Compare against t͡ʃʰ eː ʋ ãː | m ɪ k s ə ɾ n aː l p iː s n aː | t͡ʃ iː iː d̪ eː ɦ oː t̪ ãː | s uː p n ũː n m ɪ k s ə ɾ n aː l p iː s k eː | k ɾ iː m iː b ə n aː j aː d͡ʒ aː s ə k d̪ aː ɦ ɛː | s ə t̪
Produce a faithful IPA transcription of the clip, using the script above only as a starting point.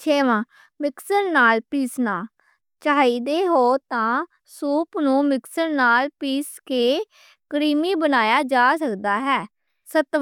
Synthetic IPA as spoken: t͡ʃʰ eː ʋ ãː | m ɪ k s ə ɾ n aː l p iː s n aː | t͡ʃ aː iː d̪ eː ɦ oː t̪ ãː | s uː p n ũː m ɪ k s ə ɾ n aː l p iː s k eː | k ɾ iː m iː b ə n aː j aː d͡ʒ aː s ə k d̪ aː ɦ ɛː | s ə t̪